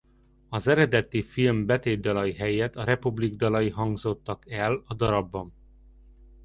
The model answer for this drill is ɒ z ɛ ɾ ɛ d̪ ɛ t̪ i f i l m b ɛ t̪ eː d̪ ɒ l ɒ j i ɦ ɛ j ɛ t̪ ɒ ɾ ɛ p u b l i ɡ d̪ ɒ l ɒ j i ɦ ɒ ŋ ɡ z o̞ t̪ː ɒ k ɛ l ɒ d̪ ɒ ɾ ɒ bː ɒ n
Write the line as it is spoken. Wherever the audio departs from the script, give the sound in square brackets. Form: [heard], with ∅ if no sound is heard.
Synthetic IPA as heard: ɒ z ɛ ɾ ɛ d̪ ɛ t̪ i f i l m b ɛ t̪ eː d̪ ɒ l ɒ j i ɦ ɛ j ɛ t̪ ɒ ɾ ɛ p u b l i ɡ d̪ ɒ l ɒ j i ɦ ɒ ŋ ɡ z o̞ t̪ː ɒ k ɛ l ɒ d̪ ɒ ɾ ɒ bː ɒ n